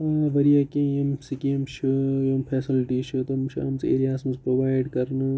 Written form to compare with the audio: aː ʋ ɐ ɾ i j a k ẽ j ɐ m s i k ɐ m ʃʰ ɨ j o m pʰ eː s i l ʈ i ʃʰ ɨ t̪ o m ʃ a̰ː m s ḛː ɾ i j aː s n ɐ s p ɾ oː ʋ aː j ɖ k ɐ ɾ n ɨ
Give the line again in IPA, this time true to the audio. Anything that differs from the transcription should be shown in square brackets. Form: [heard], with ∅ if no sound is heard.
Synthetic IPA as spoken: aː ʋ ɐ ɾ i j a k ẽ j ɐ m s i k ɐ m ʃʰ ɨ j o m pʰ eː s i l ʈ i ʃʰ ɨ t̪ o m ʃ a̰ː m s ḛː ɾ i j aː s [m] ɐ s p ɾ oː ʋ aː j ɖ k ɐ ɾ n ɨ